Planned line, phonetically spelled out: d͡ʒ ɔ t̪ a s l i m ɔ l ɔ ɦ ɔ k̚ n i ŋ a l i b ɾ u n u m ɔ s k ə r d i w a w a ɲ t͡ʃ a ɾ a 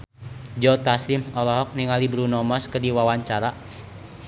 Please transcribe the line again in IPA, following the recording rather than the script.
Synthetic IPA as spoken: d͡ʒ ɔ t̪ a s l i m ɔ l ɔ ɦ ɔ k̚ n i ŋ a l i b ɾ u n ɔ m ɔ s k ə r d i w a w a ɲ t͡ʃ a ɾ a